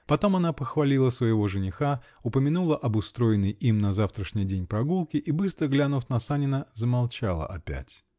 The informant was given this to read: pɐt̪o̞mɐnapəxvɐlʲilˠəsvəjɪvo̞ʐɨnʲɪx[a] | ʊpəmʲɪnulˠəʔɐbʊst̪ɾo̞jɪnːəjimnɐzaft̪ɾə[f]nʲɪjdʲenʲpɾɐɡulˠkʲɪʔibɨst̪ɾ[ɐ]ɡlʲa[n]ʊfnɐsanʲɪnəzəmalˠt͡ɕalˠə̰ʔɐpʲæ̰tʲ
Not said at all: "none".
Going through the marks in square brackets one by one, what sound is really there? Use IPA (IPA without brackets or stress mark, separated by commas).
a, ʂ, ə, n